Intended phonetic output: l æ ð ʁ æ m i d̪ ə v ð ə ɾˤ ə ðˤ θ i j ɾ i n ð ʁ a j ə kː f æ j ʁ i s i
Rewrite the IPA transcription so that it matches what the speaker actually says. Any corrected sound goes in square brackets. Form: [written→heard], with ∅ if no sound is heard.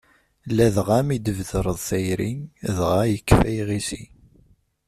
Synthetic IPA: l æ ð ʁ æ m i d̪ ə v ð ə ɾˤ ə ðˤ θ [i→æ] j ɾ i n ð ʁ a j ə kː f æ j ʁ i s i